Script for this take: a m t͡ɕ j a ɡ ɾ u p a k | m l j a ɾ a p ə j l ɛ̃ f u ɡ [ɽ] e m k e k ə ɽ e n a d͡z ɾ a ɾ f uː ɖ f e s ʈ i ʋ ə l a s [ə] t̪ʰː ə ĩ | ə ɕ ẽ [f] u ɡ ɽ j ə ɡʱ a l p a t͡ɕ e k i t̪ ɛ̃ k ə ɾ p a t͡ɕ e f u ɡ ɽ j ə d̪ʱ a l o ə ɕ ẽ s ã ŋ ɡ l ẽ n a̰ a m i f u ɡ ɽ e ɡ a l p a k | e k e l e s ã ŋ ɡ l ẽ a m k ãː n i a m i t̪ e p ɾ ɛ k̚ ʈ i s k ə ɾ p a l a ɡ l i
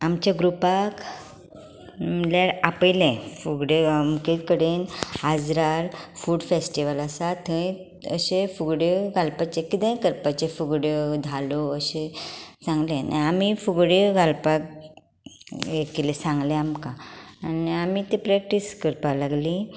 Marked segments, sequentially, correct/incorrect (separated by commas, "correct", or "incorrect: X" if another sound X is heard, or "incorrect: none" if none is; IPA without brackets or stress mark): correct, incorrect: a, correct